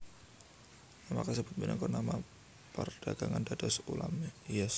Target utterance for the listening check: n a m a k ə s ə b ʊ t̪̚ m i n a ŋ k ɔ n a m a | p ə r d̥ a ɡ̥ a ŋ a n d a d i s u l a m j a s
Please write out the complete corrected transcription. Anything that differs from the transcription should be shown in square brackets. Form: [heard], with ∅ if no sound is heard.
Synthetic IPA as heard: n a m a k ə s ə b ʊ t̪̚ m i n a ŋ k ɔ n a m a | p ə r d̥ a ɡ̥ a ŋ a n d a d [a] s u l a m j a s

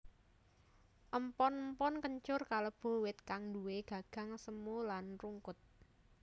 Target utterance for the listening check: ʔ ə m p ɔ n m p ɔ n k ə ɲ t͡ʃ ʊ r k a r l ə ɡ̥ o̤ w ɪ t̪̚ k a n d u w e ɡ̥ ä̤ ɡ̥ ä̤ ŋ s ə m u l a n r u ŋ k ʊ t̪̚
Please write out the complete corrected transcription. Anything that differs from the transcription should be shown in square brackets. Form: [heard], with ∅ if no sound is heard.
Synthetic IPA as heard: ʔ ə m p ɔ n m p ɔ n k ə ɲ t͡ʃ ʊ r k a [∅] l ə [b̥] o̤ w ɪ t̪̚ k a [ŋ] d u w e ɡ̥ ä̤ ɡ̥ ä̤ ŋ s ə m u l a n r u ŋ k ʊ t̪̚

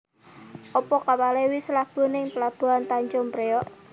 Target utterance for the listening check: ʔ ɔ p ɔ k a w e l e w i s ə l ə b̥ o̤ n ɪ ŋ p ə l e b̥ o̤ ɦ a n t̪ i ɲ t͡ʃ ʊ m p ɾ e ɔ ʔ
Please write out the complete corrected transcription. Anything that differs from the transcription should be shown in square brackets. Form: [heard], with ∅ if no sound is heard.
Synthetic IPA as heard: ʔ ɔ p ɔ k a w [a] l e w i s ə l [a] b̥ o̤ n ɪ ŋ p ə l [a] b̥ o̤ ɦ a n t̪ [a] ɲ t͡ʃ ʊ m p ɾ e ɔ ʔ

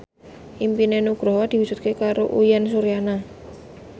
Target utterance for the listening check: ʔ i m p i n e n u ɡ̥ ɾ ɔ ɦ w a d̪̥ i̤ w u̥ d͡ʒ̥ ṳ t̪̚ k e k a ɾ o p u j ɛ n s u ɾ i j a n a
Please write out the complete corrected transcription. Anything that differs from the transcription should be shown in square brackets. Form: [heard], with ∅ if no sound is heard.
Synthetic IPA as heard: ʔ i m p i n e n u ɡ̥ ɾ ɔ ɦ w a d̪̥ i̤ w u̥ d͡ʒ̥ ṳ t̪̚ k e k a ɾ o [ʔ] u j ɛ n s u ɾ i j a n a

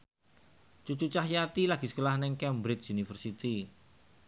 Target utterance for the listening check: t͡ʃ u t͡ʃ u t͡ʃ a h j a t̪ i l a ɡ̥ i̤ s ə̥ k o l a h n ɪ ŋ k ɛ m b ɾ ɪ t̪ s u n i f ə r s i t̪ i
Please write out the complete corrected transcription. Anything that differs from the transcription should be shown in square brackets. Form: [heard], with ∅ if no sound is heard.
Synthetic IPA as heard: t͡ʃ u t͡ʃ u t͡ʃ a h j a t̪ i l a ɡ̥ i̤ s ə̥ k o l a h n ɪ ŋ k ɛ m b ɾ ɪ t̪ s u n i f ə r s i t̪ i

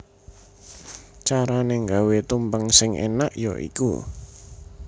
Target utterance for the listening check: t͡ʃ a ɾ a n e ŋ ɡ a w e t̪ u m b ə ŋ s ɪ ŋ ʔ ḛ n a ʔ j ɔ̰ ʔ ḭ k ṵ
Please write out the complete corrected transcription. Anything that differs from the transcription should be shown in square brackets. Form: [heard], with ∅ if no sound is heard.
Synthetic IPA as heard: t͡ʃ a ɾ a n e ŋ ɡ a w e t̪ u m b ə ŋ s ɪ ŋ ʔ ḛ n a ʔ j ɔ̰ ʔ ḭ k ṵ

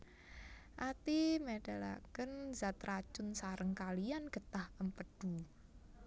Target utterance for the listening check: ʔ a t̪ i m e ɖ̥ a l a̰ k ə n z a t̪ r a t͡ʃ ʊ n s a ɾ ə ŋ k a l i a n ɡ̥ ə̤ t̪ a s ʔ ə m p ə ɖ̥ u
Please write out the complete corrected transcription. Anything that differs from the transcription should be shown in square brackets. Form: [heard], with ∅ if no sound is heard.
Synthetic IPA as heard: ʔ a t̪ i m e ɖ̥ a l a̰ k ə n z a t̪ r a t͡ʃ ʊ n s a ɾ ə ŋ k a l i a n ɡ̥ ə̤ t̪ a [h] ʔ ə m p ə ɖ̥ u

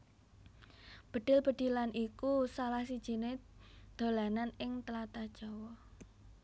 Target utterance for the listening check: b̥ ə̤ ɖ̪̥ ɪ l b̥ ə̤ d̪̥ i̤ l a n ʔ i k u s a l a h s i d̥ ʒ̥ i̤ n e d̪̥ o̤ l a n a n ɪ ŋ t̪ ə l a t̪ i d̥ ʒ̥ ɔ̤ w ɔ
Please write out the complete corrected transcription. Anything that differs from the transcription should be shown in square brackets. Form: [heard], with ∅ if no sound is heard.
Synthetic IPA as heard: b̥ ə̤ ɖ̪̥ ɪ l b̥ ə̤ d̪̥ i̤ l a n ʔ i k u s a l a h s i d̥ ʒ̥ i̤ n e d̪̥ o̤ l a n a n ɪ ŋ t̪ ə l a t̪ [a] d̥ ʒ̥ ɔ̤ w ɔ

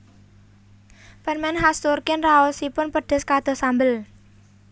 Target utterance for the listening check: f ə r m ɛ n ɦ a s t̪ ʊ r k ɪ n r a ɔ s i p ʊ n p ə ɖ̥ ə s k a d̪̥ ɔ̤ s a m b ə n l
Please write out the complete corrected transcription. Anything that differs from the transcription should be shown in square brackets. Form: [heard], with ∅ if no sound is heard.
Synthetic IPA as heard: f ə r m ɛ n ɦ a s t̪ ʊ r k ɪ n r a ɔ s i p ʊ n p ə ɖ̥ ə s k a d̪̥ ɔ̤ s a m b ə [∅] l

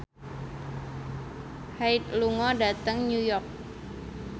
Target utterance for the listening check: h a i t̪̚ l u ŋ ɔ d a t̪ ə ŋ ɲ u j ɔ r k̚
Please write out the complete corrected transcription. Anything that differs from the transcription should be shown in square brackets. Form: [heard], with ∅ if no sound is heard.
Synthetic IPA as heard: h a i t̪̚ l u ŋ ɔ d a t̪ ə ŋ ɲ u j ɔ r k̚

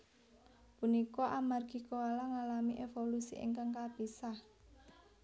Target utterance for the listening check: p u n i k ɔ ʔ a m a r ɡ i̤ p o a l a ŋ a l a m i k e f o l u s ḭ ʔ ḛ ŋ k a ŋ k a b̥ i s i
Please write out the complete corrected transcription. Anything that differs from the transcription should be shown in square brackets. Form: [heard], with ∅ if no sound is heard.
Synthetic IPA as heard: p u n i k ɔ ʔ a m a r ɡ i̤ [k] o a l a ŋ a l a m i [ʔ] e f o l u s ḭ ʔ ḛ ŋ k a ŋ k a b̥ i s [a]

